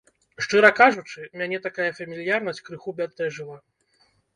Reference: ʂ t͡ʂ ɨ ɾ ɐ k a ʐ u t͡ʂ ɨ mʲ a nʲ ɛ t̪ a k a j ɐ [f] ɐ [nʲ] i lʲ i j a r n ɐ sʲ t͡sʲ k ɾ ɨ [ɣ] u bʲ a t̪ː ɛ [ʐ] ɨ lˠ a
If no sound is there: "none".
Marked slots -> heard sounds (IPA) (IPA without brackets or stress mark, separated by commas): f, mʲ, x, ʐ